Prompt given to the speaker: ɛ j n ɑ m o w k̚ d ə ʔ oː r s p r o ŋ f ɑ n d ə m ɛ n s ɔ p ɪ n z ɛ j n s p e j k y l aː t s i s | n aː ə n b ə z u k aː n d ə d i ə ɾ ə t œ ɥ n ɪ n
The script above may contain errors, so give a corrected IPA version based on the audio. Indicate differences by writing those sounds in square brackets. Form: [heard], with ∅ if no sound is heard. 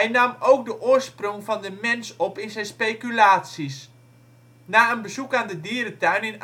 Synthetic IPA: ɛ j n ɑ m o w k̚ d ə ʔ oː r s p r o ŋ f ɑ n d ə m ɛ n s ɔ p ɪ n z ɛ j n s p e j k y l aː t s i s | n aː ə n b ə z u k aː n d ə d i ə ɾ ə t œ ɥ n ɪ n